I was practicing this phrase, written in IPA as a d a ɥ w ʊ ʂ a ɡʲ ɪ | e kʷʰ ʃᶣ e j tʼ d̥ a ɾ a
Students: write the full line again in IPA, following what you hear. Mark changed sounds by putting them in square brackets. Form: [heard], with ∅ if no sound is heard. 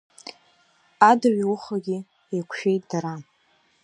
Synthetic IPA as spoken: a d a ɥ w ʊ [χ] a ɡʲ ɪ | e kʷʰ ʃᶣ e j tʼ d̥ a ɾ a